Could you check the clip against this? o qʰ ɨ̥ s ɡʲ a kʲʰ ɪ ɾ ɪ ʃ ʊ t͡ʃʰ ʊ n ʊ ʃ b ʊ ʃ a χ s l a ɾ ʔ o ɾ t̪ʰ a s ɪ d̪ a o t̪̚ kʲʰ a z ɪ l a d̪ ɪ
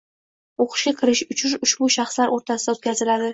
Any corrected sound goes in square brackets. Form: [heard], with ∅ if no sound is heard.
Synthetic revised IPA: o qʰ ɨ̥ [ʃ] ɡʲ a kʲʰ ɪ ɾ ɪ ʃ ʊ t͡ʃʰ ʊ n ʊ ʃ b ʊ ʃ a χ s l a ɾ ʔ o ɾ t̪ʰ a s ɪ d̪ a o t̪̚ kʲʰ a z ɪ l a d̪ ɪ